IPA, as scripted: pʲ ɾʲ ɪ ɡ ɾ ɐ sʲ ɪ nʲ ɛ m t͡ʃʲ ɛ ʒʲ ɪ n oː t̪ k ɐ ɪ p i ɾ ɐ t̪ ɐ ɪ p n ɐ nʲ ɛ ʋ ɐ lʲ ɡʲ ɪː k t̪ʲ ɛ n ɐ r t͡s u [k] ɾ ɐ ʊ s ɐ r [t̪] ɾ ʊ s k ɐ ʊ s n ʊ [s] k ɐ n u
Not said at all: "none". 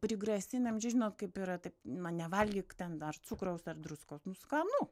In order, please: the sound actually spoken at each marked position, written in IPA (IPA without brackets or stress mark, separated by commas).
k, d̪, s